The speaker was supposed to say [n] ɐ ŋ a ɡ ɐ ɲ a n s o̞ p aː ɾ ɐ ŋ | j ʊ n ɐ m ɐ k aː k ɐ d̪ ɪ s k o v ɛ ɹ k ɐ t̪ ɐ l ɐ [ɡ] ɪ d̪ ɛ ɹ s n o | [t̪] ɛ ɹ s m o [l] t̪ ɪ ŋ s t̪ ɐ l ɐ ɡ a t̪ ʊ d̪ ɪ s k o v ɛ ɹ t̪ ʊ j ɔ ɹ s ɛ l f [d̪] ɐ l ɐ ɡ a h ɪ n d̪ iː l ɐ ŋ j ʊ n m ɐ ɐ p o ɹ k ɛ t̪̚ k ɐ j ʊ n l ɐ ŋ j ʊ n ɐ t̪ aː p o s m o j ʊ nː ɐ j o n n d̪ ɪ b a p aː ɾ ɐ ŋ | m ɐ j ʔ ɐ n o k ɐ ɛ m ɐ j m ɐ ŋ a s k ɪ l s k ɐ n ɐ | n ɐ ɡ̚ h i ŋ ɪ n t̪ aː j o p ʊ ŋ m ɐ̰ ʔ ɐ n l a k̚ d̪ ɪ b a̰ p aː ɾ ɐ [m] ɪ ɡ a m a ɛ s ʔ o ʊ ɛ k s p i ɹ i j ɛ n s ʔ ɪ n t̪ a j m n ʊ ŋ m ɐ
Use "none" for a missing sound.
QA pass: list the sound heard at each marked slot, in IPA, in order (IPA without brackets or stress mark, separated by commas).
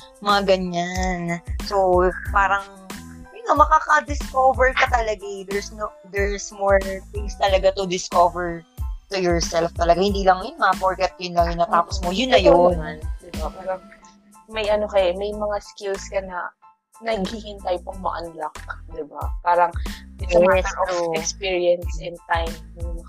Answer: m, ɡ, d̪, ɹ, t̪, ŋ